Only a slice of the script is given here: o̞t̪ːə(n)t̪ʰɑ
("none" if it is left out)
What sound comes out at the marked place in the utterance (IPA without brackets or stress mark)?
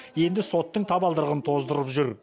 ɴ